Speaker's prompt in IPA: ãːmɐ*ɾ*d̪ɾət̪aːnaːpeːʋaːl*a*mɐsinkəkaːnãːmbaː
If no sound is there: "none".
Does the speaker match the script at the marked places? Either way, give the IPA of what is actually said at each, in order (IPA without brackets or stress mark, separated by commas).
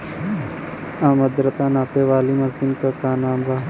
none, i